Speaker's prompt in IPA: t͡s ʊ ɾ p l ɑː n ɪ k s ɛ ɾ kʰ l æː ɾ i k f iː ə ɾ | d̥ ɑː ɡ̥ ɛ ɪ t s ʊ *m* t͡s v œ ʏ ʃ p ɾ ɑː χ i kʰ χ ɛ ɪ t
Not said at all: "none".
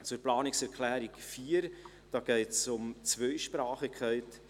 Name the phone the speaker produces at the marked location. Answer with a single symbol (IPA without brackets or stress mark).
m